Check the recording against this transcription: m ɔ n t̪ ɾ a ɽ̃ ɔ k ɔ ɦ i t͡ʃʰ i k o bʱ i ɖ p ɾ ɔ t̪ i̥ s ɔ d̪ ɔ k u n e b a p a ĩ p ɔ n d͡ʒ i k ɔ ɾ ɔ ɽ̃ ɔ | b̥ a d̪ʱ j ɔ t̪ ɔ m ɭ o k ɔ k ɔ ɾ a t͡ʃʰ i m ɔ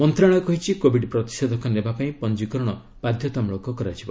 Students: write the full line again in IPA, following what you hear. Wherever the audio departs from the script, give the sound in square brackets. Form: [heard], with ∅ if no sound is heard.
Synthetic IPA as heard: m ɔ n t̪ ɾ a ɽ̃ ɔ k ɔ ɦ i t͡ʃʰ i k o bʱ i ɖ p ɾ ɔ t̪ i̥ s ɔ d̪ ɔ k [ɔ] n e b a p a ĩ p ɔ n d͡ʒ i k ɔ ɾ ɔ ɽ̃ ɔ | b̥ a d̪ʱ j ɔ t̪ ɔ m ɭ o k ɔ k ɔ ɾ a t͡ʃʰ i [b] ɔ